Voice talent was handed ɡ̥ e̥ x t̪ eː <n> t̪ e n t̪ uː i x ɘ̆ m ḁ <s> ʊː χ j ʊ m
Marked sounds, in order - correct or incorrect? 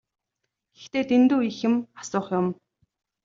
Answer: incorrect: none, correct

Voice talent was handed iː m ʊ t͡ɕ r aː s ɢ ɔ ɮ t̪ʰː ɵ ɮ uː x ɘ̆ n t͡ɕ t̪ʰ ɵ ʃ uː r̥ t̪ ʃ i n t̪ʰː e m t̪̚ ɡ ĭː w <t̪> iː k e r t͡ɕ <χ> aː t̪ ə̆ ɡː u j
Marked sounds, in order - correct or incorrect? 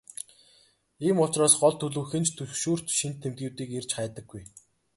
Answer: correct, correct

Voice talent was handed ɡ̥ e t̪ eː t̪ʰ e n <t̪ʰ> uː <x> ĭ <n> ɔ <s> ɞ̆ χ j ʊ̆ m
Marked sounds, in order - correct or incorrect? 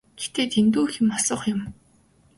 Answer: incorrect: t̪, correct, incorrect: m, correct

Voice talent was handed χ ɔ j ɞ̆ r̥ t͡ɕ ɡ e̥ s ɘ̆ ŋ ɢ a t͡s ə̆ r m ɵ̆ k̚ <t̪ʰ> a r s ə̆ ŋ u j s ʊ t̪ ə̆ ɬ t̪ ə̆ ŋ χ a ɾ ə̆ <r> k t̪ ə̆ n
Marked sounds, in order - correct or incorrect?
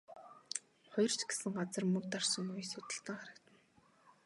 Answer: incorrect: t̪, incorrect: none

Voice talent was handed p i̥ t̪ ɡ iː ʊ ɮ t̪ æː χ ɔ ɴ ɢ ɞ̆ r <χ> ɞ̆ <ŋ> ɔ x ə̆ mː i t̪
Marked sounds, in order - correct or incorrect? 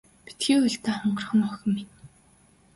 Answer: correct, incorrect: n

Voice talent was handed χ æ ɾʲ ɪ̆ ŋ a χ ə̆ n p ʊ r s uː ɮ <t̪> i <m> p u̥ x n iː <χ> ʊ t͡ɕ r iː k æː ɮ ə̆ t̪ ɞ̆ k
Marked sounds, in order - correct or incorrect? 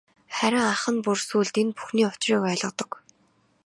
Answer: correct, incorrect: n, incorrect: none

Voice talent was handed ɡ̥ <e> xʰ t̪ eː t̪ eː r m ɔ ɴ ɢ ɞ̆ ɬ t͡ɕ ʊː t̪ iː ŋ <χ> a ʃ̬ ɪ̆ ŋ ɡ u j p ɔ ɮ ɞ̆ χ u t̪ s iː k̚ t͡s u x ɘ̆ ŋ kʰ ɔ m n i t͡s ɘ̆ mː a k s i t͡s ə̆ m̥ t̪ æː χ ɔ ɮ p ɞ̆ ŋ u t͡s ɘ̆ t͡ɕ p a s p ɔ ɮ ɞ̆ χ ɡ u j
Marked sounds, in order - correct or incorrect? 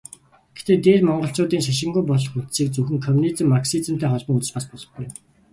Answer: correct, incorrect: ʃ

